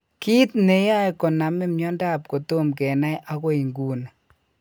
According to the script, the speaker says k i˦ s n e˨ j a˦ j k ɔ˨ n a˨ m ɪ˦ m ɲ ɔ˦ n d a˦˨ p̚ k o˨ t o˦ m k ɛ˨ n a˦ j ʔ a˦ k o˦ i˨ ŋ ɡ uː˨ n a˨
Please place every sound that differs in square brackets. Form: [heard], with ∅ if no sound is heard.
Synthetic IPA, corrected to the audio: k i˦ [t] n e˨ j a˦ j k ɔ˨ n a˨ m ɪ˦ m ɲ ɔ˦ n d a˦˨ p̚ k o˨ t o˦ m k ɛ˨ n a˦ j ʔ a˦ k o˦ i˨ ŋ ɡ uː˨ n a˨